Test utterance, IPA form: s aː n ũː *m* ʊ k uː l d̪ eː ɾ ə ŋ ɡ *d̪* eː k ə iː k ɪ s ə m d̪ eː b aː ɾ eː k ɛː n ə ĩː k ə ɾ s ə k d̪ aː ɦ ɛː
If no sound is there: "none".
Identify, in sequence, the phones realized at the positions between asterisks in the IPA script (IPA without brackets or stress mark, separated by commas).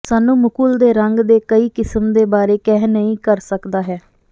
m, d̪